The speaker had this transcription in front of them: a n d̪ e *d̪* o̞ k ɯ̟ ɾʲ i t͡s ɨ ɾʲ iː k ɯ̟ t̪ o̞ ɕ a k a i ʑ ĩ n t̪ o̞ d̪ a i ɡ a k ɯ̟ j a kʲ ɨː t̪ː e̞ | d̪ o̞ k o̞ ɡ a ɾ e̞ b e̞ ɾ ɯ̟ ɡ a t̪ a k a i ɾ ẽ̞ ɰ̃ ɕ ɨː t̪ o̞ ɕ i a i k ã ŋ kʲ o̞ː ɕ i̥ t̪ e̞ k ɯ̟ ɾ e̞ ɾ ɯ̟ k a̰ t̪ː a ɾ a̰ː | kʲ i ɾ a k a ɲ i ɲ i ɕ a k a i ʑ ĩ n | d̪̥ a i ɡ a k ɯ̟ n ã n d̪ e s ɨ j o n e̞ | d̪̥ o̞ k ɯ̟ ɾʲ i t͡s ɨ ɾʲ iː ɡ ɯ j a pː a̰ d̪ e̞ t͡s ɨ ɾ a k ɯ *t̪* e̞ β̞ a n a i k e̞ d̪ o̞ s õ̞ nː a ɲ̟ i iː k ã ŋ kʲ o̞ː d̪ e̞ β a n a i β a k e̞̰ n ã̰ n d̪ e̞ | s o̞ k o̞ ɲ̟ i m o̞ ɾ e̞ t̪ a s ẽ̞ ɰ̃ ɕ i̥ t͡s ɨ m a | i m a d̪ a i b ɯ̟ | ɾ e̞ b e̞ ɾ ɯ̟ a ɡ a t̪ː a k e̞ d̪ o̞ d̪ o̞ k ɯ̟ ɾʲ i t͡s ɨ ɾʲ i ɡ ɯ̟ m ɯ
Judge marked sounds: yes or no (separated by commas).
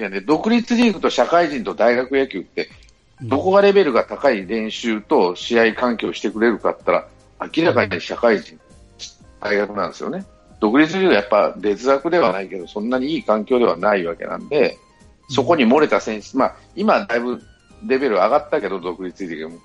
yes, no